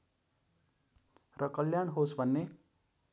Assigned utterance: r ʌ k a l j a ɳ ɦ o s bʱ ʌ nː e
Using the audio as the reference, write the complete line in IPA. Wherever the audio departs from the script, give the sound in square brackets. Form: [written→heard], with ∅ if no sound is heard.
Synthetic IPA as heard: r ʌ k [a→ʌ] l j a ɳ ɦ o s bʱ ʌ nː e